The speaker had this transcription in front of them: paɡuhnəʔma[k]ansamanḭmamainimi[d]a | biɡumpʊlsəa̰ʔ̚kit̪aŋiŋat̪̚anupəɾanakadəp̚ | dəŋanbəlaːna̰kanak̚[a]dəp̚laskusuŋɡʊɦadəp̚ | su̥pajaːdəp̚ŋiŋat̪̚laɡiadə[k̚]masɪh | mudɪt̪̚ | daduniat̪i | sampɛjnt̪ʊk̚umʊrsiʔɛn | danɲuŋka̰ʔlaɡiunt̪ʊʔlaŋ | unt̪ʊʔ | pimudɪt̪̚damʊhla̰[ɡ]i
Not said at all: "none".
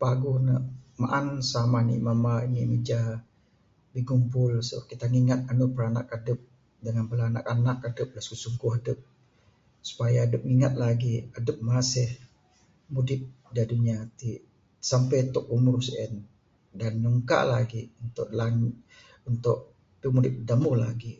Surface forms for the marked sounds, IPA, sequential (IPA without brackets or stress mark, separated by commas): ʔ, d͡ʒ, a, p̚, ɡ